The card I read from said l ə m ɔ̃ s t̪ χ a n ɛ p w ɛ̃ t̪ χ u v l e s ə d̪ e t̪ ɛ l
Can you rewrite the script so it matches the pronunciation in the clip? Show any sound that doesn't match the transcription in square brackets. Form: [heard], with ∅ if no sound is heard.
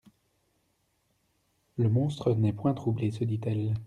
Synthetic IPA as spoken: l ə m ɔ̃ s t̪ χ [ə] n ɛ p w ɛ̃ t̪ χ u [b] l e s ə d̪ [i] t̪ ɛ l